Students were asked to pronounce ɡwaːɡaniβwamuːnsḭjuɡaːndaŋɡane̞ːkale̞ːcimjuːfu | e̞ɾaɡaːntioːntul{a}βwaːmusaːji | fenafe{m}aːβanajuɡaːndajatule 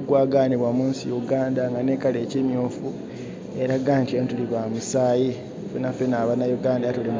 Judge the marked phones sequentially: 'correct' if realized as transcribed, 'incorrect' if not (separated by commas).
incorrect, incorrect